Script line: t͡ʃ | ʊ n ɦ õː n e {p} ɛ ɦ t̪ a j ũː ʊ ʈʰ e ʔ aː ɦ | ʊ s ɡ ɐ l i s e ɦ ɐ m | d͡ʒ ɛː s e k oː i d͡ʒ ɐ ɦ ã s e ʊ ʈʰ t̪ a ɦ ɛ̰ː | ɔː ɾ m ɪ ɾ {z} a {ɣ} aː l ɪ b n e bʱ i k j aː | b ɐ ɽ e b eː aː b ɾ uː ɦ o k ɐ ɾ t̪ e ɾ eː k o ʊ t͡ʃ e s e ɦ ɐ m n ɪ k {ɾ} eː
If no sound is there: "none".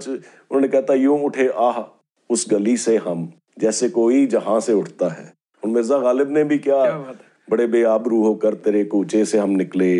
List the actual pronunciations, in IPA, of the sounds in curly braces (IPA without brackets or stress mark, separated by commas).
k, z, ɣ, l